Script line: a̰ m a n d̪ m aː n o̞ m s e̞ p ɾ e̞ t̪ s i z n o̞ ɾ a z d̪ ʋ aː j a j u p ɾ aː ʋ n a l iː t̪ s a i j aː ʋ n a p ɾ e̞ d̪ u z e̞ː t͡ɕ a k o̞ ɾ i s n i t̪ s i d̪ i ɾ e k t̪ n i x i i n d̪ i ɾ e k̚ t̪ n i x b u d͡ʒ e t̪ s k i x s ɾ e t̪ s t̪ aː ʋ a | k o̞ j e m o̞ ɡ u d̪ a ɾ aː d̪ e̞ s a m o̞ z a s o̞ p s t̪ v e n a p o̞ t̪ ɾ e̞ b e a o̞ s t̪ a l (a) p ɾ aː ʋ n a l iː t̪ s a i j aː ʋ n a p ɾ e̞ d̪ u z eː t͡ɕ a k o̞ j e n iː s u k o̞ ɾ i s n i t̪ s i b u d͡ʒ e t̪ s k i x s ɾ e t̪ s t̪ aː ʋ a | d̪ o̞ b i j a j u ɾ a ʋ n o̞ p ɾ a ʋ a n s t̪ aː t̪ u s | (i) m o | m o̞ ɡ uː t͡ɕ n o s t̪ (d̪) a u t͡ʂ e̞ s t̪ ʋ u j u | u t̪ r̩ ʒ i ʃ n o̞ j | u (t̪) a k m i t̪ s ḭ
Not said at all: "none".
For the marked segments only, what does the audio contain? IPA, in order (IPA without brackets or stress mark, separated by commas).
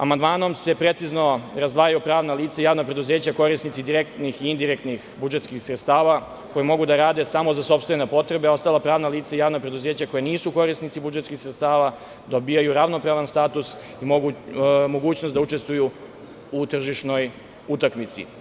a, i, d̪, t̪